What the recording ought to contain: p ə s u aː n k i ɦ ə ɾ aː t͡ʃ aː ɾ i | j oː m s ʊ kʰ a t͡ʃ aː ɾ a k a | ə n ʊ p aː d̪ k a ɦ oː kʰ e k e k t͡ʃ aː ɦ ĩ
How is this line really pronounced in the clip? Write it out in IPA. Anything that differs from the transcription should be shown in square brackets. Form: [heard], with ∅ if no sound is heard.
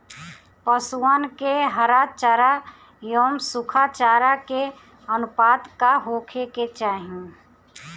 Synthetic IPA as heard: p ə s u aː n k [e] ɦ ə ɾ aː t͡ʃ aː ɾ [a] | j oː m s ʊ kʰ a t͡ʃ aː ɾ a k [e] | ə n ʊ p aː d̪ k a ɦ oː kʰ e k e [∅] t͡ʃ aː ɦ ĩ